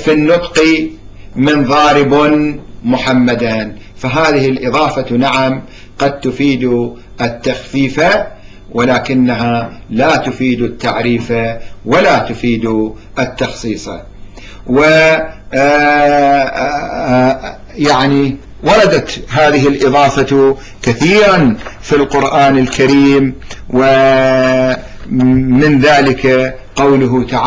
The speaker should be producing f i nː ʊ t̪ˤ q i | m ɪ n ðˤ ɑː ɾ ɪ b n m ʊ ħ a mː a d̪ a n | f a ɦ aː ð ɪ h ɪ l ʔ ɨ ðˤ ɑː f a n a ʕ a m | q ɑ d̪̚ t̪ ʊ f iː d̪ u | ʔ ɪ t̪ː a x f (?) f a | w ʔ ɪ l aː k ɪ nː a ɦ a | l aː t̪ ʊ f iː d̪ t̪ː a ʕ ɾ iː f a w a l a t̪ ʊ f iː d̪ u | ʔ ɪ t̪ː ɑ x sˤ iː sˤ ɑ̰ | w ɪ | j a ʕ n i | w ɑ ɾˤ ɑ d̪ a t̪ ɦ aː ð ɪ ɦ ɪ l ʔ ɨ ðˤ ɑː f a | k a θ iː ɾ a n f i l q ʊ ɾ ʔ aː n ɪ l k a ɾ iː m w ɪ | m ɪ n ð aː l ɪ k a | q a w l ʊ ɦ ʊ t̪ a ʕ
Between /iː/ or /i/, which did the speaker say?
iː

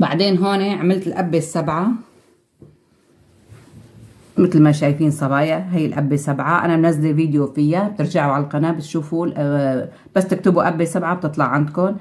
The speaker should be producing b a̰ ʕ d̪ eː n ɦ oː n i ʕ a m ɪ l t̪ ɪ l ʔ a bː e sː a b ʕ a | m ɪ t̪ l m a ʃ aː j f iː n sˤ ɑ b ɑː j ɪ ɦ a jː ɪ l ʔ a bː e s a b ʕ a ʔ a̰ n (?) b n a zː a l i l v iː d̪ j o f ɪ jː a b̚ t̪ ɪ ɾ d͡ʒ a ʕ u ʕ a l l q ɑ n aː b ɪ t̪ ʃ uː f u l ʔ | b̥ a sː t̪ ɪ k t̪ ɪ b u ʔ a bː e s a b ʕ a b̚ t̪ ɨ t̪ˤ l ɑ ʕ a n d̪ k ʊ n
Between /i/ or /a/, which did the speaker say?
a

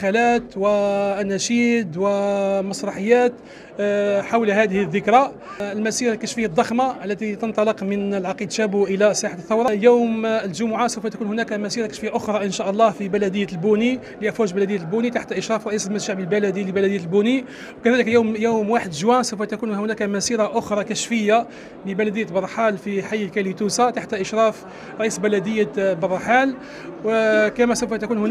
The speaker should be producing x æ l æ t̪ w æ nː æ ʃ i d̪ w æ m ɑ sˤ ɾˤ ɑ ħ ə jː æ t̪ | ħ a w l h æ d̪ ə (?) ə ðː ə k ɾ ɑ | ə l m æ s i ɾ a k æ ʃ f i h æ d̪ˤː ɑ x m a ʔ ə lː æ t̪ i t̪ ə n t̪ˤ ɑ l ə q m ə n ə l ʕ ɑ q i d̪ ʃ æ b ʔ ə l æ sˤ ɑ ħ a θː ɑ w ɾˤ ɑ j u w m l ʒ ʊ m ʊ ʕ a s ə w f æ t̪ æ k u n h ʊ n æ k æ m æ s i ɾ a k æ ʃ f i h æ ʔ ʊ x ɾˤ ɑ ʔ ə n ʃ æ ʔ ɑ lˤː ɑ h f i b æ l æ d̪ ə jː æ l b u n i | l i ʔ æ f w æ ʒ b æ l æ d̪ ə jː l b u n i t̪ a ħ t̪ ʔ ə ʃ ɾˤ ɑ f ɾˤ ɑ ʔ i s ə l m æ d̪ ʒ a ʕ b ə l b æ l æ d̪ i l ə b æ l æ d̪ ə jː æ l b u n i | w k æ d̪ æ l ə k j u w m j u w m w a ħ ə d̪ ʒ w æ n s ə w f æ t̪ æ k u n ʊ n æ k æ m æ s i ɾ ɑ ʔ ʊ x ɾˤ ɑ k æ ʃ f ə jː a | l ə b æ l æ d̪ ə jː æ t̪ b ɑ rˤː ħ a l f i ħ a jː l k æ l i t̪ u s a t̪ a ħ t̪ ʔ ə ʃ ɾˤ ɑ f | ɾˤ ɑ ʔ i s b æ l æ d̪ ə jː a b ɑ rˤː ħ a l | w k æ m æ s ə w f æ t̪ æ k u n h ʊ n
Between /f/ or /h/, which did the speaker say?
h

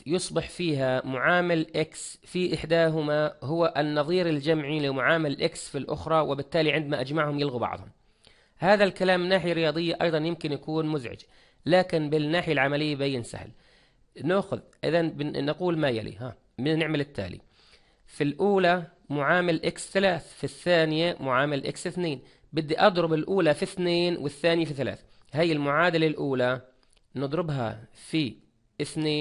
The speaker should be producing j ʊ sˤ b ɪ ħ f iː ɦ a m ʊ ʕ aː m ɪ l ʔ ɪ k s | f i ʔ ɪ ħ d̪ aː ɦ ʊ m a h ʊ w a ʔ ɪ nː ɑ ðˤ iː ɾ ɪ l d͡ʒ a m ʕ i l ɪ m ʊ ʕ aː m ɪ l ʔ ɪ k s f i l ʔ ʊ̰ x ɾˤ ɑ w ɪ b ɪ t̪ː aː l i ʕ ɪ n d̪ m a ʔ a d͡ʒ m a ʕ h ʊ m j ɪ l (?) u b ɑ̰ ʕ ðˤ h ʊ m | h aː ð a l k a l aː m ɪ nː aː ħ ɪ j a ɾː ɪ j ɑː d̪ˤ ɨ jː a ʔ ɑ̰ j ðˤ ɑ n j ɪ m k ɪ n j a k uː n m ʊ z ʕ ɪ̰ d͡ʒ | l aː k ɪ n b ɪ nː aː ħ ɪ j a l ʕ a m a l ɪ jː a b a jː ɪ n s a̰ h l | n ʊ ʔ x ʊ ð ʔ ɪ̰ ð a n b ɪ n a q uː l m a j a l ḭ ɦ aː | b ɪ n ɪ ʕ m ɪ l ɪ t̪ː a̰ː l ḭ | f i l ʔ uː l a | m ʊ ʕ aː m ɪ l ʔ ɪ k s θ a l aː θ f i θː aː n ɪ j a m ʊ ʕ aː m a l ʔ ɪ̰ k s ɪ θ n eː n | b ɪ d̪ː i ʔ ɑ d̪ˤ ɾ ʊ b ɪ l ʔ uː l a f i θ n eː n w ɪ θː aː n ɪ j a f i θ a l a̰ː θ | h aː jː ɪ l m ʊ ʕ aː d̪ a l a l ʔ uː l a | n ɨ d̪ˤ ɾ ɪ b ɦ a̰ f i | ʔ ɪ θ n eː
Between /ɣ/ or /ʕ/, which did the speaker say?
ɣ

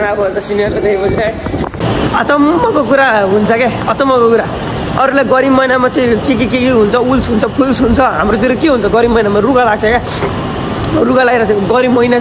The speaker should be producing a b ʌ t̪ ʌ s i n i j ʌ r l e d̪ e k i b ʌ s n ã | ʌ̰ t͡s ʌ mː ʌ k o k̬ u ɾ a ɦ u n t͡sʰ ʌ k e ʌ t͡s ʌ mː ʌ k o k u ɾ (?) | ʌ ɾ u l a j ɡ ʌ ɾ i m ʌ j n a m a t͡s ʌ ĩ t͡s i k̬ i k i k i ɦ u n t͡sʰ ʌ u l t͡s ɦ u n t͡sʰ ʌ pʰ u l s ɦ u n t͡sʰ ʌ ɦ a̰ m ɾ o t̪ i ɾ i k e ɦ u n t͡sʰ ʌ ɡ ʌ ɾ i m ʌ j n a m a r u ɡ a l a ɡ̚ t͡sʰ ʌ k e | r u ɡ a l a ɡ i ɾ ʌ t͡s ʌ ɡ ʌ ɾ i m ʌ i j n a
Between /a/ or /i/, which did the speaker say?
a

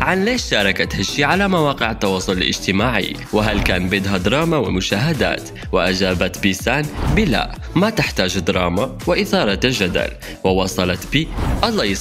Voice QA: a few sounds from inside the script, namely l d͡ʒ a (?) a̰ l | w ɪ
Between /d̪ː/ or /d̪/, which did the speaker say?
d̪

